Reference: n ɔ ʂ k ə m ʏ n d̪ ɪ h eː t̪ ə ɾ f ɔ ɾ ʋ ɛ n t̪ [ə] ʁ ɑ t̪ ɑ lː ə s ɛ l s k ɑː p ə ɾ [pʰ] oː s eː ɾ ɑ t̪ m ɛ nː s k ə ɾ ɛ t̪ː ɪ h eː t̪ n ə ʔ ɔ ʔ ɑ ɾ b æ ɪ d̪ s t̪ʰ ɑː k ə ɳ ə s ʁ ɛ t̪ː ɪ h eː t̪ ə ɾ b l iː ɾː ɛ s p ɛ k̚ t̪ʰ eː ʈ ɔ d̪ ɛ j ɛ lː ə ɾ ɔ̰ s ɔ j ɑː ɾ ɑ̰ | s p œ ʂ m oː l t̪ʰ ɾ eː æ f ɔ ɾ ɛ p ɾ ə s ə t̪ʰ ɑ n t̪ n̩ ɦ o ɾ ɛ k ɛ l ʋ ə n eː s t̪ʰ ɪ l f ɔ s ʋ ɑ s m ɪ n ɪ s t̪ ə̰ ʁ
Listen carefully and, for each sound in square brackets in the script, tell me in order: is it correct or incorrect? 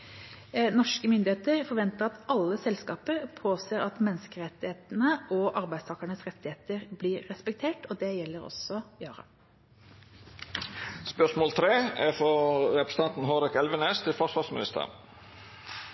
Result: correct, correct

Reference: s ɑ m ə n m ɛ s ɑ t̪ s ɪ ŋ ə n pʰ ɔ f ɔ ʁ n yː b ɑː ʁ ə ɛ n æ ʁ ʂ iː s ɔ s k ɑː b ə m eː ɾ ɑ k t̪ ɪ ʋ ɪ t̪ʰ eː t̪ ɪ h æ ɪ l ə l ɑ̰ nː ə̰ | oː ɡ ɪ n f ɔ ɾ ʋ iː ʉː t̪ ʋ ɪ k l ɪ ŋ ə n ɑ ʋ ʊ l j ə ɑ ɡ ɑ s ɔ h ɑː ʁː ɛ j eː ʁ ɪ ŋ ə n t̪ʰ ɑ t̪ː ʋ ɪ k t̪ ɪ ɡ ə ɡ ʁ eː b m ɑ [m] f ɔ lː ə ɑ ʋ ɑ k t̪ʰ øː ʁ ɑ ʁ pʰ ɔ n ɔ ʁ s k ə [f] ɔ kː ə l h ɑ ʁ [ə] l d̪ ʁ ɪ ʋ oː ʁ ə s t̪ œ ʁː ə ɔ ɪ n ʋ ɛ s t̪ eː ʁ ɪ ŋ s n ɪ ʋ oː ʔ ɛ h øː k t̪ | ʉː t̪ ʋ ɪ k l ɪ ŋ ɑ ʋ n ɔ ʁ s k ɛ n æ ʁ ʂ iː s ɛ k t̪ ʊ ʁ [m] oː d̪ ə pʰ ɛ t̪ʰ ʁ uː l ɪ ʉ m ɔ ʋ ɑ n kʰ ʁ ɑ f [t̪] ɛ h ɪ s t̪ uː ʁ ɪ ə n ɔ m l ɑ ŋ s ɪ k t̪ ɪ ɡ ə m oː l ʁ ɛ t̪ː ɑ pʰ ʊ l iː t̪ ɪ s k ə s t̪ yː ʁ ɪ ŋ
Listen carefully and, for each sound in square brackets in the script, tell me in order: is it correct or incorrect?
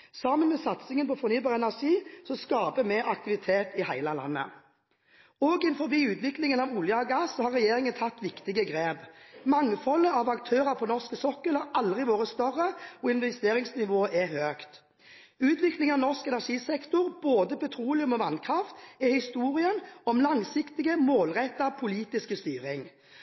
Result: incorrect, incorrect, incorrect, incorrect, correct

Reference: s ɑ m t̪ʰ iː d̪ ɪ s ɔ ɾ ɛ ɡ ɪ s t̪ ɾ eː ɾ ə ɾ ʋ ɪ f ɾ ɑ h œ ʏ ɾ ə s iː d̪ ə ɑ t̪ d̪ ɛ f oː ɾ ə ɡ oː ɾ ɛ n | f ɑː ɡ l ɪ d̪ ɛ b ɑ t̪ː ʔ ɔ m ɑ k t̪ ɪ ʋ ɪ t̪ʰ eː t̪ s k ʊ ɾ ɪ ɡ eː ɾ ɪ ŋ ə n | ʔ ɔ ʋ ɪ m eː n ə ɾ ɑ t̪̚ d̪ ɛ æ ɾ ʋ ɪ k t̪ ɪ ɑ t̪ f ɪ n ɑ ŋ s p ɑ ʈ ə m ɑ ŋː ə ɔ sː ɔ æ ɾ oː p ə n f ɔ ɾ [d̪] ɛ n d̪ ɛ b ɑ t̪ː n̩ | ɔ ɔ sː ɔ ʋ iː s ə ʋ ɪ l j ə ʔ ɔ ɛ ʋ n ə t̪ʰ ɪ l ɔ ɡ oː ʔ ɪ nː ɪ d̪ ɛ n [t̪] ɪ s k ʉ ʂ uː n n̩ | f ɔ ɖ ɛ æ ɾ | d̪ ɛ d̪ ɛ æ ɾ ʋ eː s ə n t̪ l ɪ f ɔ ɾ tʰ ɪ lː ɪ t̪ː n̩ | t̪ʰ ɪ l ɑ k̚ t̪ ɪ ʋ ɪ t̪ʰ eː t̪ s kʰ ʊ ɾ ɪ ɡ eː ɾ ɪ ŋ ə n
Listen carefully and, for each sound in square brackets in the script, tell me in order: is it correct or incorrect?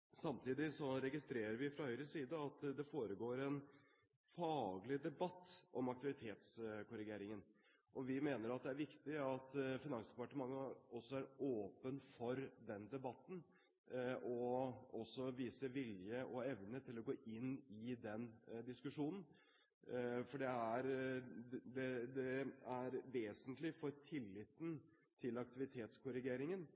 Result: correct, incorrect

